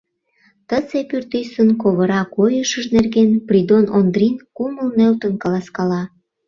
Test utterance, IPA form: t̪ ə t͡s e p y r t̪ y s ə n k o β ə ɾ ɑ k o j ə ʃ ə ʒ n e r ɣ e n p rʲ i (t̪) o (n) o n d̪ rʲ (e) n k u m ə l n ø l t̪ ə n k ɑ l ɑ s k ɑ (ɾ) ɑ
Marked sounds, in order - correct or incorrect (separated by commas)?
incorrect, correct, incorrect, incorrect